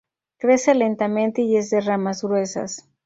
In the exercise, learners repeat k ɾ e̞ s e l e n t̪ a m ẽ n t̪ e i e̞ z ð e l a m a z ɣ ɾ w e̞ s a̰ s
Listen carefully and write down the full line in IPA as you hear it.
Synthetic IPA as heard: k ɾ e̞ s e l e n t̪ a m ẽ n t̪ e i e̞ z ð e r a m a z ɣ ɾ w e̞ s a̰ s